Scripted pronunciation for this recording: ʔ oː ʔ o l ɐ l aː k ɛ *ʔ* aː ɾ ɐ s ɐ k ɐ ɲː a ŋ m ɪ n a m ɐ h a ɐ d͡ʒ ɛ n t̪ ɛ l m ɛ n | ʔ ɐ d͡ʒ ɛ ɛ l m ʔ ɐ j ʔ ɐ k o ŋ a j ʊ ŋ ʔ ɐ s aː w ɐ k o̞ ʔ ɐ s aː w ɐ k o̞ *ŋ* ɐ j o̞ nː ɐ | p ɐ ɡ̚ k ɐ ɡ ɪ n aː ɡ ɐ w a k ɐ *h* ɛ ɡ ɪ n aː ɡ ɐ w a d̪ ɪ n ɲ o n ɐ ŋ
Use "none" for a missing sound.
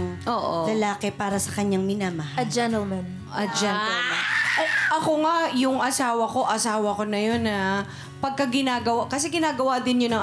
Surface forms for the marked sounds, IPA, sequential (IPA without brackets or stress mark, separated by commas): p, n, s